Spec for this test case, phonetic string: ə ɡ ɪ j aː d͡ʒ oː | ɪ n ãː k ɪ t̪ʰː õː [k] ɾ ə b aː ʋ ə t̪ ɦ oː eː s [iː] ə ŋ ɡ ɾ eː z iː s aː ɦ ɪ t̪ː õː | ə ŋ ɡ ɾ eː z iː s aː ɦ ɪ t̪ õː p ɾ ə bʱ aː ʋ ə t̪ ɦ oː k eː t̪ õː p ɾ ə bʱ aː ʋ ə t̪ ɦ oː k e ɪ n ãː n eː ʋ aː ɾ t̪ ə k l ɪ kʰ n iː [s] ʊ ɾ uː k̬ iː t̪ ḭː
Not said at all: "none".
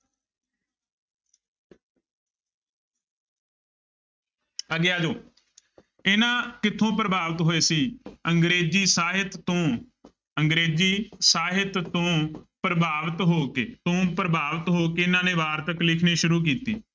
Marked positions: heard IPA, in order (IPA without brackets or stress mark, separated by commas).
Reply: p, iː, ʃ